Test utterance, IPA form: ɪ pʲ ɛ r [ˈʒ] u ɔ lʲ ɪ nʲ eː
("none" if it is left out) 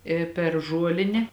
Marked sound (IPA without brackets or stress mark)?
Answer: ʒ